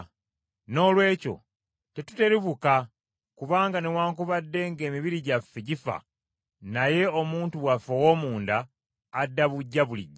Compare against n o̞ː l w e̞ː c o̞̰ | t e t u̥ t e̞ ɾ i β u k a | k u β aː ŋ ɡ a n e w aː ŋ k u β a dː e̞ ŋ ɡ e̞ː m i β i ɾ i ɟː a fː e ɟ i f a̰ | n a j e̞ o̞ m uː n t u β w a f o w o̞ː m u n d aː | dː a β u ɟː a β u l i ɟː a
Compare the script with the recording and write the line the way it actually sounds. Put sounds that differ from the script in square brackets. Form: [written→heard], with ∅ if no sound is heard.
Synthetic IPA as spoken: n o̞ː l w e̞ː c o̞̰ | t e t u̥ t e̞ ɾ i β u k a | k u β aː ŋ ɡ a n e w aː ŋ k u β a dː e̞ ŋ ɡ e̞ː m i β i ɾ i [ɟː→ɟ] a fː e ɟ i f a̰ | n a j e̞ o̞ m uː n t u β w a f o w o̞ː m [u→uː] n d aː | dː a β u ɟː a β u l i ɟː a